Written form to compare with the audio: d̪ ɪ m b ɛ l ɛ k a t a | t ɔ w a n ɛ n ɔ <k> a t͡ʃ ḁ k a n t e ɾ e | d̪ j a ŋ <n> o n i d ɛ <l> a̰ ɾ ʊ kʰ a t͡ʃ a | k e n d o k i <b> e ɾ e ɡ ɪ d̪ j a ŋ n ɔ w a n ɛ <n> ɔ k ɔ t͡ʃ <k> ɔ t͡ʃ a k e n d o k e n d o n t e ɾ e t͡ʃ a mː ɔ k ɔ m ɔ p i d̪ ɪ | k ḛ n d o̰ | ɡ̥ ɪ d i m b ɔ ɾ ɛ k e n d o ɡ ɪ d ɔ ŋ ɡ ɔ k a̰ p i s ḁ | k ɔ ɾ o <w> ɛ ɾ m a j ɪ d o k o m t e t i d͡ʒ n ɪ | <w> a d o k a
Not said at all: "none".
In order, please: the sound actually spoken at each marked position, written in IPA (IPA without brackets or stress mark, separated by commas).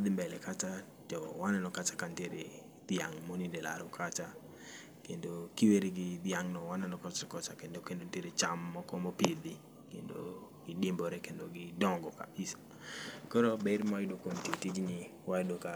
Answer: k, m, l, w, n, k, b, w